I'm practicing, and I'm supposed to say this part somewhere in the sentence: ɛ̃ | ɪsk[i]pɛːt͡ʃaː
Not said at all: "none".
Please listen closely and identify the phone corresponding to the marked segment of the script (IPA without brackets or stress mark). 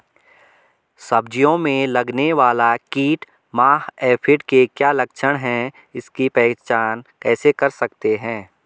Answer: i